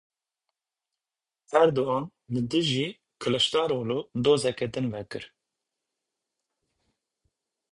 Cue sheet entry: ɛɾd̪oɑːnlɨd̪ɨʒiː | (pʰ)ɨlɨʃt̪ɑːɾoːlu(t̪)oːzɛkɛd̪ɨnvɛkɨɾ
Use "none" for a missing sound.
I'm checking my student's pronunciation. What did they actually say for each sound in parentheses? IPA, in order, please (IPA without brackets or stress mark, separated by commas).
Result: kʰ, d̪